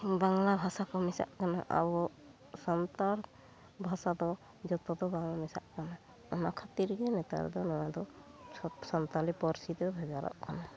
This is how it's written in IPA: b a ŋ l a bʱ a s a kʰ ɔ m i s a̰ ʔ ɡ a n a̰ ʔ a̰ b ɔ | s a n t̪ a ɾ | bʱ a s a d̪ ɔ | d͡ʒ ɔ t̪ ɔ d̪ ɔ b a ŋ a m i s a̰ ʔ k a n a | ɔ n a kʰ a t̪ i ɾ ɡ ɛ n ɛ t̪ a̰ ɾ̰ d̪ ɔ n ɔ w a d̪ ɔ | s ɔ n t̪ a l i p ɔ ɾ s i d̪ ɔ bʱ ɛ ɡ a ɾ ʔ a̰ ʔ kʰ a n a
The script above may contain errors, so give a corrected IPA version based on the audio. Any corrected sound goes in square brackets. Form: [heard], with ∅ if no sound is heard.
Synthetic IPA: b a ŋ l a bʱ a s a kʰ ɔ m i s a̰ ʔ [k] a n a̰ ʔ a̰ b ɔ | s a n t̪ a ɾ | bʱ a s a d̪ ɔ | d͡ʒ ɔ t̪ ɔ d̪ ɔ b a ŋ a m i s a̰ ʔ k a n a | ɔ n a kʰ a t̪ i ɾ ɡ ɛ n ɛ t̪ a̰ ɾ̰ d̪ ɔ n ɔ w a d̪ ɔ | s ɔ n t̪ a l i p ɔ ɾ s i d̪ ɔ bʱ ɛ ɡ a ɾ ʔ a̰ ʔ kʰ a n a